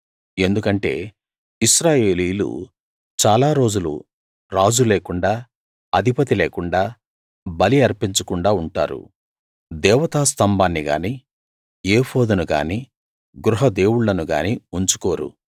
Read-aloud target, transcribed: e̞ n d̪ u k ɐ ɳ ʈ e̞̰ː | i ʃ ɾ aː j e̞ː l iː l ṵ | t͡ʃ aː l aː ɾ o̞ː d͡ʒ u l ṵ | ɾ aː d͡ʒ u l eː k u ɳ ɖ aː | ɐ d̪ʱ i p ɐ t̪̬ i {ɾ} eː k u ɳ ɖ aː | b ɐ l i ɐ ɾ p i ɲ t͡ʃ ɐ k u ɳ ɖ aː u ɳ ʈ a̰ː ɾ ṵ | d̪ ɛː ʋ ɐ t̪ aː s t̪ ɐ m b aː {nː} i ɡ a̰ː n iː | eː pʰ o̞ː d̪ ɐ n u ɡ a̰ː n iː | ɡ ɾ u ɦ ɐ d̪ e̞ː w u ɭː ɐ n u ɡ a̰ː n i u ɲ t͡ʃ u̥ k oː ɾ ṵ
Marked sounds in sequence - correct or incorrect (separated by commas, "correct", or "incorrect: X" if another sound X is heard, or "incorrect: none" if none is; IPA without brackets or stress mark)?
incorrect: l, correct